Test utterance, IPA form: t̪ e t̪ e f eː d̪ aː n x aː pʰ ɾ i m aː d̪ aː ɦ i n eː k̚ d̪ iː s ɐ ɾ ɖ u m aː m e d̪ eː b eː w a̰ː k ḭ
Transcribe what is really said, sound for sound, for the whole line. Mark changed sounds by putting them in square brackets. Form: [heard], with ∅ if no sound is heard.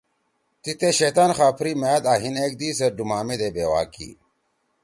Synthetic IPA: t̪ [i] t̪ e [ɕ] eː [t̪] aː n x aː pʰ ɾ i m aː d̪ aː ɦ i n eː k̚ d̪ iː s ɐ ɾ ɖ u m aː m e d̪ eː b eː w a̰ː k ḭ